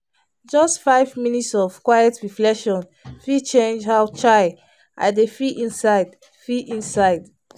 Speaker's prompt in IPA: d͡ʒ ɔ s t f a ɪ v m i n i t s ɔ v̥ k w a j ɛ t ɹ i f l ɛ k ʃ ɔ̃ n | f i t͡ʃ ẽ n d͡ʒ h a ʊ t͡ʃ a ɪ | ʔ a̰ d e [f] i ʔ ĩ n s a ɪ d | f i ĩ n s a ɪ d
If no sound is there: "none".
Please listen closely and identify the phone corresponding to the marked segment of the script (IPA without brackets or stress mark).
f